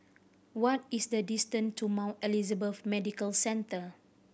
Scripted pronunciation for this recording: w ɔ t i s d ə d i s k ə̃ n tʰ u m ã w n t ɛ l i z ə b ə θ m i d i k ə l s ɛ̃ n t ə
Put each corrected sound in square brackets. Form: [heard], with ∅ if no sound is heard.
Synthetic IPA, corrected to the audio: w ɔ t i s d ə d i s [t] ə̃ n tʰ u m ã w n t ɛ l i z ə b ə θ m [ɛ] d i k ə l s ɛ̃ n t ə